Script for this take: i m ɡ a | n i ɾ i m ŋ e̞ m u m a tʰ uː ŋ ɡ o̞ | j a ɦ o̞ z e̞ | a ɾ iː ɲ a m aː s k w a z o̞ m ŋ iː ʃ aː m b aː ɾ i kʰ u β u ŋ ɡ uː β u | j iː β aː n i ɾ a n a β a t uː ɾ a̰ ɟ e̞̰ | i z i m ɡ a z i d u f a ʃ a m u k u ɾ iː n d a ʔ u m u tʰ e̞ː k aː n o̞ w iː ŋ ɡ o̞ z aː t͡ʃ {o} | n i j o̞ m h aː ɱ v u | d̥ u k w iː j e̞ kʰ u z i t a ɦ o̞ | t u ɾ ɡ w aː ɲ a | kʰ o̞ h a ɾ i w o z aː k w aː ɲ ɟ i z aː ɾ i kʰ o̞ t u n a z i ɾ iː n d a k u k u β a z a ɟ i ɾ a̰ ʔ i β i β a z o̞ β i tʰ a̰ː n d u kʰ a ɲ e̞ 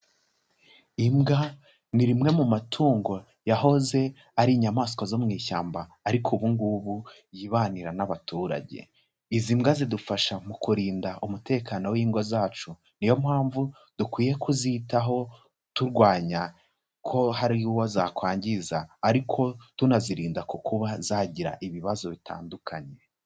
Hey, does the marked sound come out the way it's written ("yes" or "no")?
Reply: no